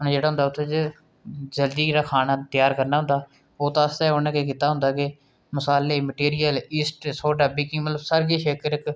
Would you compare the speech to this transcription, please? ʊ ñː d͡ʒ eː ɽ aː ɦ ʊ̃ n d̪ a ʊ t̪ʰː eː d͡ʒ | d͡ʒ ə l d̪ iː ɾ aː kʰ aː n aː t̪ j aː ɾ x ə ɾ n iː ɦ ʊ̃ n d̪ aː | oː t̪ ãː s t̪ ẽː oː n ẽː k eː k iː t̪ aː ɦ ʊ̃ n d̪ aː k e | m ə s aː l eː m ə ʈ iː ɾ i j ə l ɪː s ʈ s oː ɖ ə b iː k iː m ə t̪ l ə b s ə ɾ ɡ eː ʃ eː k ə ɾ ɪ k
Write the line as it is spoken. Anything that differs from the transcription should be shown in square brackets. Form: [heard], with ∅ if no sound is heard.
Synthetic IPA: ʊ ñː d͡ʒ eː ɽ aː ɦ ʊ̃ n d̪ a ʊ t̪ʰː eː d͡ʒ | d͡ʒ ə l d̪ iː ɾ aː kʰ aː n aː t̪ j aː ɾ [k] ə ɾ n [aː] ɦ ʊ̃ n d̪ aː | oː t̪ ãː s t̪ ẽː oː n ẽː k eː k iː t̪ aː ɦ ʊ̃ n d̪ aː k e | m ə s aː l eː m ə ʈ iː ɾ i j ə l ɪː s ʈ s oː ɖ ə b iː k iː m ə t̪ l ə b s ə ɾ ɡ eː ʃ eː k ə ɾ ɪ k